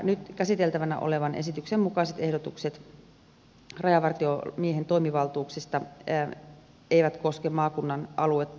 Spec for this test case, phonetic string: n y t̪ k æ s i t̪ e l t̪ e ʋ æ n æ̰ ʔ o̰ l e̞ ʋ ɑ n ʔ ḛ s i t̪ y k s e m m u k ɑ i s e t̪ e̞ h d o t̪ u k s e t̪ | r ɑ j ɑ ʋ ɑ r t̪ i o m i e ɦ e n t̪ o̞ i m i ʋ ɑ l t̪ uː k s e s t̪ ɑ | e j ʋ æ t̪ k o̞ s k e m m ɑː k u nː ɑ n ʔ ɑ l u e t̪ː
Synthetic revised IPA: n y t̪ k æ s i t̪ e l t̪ æ ʋ æ n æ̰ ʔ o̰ l e̞ ʋ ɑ n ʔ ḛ s i t̪ y k s e m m u k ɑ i s e t̪ e̞ h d o t̪ u k s e t̪ | r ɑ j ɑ ʋ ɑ r t̪ i o m i e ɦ e n t̪ o̞ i m i ʋ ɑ l t̪ uː k s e s t̪ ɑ | e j ʋ æ t̪ k o̞ s k e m m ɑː k u nː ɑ n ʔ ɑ l u e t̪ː